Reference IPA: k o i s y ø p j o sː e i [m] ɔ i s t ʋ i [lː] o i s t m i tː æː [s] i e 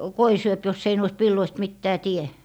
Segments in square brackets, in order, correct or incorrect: incorrect, correct, incorrect

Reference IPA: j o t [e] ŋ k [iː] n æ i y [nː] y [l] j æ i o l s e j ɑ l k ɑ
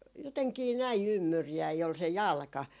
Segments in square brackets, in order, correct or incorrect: correct, correct, incorrect, incorrect

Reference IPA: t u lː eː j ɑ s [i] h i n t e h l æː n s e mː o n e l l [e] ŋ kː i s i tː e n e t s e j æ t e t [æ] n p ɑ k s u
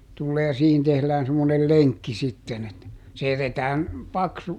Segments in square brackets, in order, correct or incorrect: incorrect, correct, incorrect

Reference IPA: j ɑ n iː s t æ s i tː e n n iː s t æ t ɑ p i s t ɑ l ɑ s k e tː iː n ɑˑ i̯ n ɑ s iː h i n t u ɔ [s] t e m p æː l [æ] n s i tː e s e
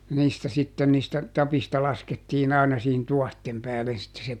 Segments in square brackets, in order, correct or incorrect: incorrect, incorrect

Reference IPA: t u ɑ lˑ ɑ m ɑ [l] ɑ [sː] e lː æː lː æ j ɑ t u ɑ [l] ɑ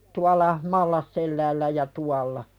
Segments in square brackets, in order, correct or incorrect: incorrect, correct, incorrect

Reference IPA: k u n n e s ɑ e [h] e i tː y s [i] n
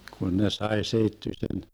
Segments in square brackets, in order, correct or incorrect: incorrect, incorrect

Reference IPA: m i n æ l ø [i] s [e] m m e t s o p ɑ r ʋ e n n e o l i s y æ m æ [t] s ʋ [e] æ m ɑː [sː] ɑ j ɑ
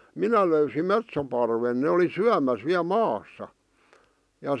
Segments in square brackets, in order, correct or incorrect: incorrect, incorrect, incorrect, incorrect, correct

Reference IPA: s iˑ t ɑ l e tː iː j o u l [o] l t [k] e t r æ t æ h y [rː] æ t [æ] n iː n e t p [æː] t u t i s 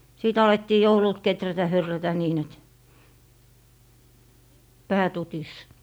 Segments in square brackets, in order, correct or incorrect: incorrect, correct, correct, correct, correct

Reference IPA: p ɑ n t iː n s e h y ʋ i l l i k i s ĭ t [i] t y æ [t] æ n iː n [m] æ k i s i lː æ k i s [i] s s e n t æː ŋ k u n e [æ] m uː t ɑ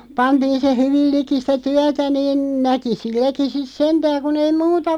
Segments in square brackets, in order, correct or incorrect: incorrect, correct, incorrect, correct, incorrect

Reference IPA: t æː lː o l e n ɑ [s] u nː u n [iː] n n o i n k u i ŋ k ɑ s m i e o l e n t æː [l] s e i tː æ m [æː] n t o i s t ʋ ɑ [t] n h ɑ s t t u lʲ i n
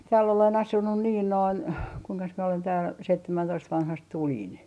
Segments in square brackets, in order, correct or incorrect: correct, correct, correct, incorrect, incorrect

